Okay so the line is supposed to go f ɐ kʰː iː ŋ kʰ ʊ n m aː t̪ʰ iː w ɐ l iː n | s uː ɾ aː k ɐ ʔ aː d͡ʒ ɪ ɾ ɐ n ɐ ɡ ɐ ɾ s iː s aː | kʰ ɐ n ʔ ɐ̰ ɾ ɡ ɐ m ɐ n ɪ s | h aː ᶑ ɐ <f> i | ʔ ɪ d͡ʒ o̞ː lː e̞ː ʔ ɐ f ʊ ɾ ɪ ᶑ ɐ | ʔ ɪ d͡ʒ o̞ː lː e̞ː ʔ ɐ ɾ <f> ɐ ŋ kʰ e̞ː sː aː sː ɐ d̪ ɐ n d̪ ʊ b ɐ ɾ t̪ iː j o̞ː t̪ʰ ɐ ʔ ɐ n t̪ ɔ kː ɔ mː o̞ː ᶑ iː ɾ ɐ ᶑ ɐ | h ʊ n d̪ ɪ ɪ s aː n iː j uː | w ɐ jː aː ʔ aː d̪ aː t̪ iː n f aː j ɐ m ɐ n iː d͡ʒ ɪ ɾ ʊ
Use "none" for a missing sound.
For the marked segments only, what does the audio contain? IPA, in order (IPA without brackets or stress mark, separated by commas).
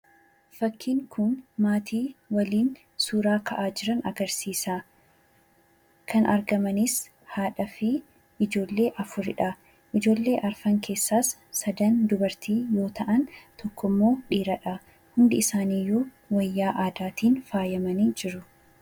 f, f